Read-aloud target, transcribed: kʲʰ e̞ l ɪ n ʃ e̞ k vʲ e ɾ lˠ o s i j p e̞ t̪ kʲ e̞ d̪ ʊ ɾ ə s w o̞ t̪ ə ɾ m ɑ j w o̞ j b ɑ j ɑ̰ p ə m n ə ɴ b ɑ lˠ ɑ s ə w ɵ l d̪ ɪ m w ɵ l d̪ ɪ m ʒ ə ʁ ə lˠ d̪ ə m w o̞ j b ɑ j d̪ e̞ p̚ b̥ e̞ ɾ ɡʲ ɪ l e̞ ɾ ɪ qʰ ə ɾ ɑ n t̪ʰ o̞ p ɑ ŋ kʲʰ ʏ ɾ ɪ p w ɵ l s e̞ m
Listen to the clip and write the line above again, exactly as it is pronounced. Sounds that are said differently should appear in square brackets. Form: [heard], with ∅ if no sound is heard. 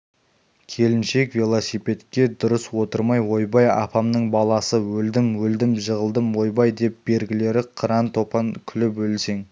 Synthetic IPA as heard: kʲʰ e̞ l ɪ n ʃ e̞ k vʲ e [∅] lˠ o s i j p e̞ t̪ kʲ e̞ d̪ ʊ ɾ ə s w o̞ t̪ ə ɾ m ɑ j w o̞ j b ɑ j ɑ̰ p [ɑ] m n ə ɴ b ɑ lˠ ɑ s ə w ɵ l d̪ ɪ m w ɵ l d̪ ɪ m ʒ ə ʁ ə lˠ d̪ ə m w o̞ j b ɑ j d̪ e̞ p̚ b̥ e̞ ɾ ɡʲ ɪ l e̞ ɾ ɪ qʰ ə ɾ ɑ n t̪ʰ o̞ p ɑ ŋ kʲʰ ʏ [l] ɪ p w ɵ l s e̞ [ŋ]